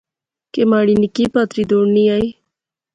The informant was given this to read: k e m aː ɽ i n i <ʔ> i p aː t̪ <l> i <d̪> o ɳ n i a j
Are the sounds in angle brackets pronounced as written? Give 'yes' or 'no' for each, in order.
no, no, yes

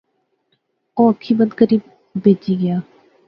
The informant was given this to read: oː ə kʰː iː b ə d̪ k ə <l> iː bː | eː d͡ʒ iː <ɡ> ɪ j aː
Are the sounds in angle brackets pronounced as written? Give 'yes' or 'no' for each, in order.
no, yes

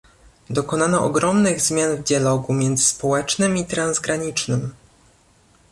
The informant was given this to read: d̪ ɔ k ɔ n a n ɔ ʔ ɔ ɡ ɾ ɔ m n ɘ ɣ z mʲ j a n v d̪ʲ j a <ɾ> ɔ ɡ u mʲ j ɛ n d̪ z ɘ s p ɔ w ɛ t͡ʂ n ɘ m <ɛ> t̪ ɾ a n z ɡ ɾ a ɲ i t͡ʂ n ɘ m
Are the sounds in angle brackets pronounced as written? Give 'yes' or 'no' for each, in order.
no, no

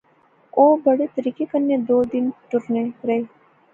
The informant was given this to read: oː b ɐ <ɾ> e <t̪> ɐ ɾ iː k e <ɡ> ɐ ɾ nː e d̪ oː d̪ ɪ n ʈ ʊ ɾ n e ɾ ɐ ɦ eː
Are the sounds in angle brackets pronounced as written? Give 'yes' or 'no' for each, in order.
no, yes, no

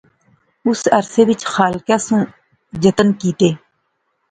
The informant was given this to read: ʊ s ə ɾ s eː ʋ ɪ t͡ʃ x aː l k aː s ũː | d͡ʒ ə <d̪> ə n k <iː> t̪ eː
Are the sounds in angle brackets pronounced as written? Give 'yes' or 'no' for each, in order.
no, yes

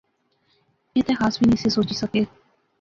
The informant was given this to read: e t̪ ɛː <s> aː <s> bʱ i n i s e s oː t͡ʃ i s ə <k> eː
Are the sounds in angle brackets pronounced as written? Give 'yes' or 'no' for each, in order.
no, yes, yes

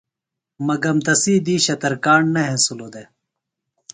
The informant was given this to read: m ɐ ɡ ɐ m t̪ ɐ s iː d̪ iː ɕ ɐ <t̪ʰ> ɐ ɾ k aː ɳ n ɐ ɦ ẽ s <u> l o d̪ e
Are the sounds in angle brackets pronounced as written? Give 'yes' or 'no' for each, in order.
no, yes

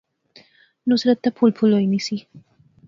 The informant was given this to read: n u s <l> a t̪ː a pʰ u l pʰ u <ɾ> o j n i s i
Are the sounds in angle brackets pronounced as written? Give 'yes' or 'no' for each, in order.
no, no

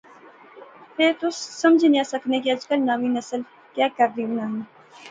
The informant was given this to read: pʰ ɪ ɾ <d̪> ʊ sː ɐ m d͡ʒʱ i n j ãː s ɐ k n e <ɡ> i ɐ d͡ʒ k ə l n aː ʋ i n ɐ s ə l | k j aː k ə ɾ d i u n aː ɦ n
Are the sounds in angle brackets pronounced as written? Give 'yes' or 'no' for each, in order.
no, no

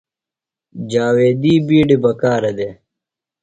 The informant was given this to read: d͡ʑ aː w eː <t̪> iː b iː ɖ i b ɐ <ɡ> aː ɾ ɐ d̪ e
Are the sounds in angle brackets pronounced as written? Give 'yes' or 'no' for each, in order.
no, no

